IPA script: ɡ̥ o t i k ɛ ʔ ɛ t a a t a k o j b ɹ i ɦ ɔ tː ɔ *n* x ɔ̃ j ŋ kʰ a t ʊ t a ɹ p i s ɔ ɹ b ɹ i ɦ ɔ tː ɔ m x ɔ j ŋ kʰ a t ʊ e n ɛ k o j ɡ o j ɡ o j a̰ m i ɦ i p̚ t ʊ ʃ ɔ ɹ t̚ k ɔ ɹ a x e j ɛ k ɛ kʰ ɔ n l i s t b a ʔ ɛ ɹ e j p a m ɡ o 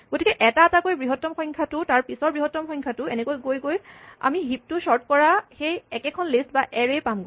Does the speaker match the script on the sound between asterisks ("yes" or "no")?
no